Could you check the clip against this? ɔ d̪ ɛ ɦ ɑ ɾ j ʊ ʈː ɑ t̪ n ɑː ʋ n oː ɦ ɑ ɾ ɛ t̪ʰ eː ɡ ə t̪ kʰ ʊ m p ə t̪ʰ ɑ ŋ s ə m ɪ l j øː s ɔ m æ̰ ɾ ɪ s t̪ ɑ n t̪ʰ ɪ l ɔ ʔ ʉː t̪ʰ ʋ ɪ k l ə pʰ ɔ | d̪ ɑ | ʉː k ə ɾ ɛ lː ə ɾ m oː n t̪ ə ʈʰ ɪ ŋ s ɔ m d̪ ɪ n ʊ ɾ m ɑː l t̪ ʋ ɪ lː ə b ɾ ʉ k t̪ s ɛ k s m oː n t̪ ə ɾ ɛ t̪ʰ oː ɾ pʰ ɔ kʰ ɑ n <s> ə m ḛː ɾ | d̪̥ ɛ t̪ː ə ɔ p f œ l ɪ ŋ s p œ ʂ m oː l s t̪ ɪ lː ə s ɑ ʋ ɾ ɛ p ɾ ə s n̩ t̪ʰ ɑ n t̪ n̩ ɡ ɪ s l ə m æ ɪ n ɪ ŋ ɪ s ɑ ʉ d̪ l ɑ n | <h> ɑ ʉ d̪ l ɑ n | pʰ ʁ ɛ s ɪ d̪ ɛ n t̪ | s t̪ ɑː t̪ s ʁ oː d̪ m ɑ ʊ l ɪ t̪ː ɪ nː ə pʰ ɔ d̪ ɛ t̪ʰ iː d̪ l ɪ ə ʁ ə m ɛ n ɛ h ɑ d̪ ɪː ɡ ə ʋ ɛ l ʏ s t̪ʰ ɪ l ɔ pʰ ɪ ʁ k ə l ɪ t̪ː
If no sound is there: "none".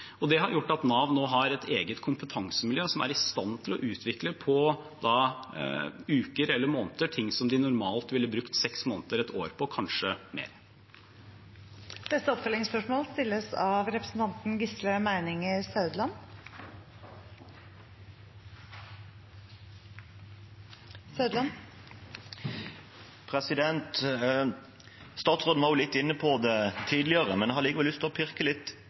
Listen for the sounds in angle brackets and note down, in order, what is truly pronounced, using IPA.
ʂ, s

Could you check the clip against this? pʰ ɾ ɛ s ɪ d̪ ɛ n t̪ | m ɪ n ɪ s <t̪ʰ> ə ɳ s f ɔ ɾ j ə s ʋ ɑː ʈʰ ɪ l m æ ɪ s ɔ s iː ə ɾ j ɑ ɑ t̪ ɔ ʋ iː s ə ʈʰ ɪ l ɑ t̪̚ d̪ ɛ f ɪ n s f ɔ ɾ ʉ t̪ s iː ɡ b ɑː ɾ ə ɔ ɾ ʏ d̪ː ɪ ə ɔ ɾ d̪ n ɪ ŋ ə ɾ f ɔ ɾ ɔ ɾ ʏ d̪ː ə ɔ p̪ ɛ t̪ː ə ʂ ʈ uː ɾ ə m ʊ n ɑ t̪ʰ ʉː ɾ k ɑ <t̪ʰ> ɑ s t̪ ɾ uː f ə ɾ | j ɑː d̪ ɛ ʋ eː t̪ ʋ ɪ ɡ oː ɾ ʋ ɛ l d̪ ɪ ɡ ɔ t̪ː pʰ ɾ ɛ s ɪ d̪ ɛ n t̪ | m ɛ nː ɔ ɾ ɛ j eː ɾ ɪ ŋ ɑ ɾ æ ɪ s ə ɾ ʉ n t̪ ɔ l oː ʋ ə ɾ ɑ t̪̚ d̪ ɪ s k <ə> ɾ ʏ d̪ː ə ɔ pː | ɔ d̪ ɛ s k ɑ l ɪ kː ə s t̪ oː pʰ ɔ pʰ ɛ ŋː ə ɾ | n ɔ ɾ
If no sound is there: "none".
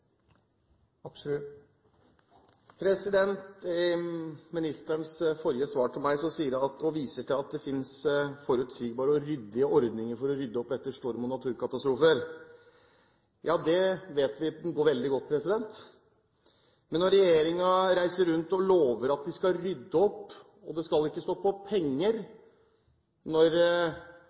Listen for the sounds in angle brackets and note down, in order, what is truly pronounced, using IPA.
t̪, t̪, ɑ

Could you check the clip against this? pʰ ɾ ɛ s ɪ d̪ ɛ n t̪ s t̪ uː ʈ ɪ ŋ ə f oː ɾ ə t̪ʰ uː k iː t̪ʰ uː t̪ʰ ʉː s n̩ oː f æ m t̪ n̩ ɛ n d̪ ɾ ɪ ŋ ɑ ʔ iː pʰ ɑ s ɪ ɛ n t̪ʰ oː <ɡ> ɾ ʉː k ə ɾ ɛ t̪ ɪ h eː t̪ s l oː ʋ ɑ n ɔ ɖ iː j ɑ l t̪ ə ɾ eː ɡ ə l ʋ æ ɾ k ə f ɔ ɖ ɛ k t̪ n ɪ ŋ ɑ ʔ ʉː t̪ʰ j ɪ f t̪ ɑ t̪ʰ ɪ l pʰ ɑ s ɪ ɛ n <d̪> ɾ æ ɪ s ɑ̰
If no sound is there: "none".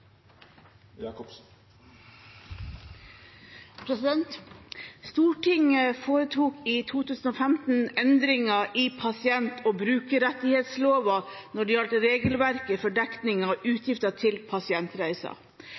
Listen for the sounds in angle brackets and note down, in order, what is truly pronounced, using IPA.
b, t̪

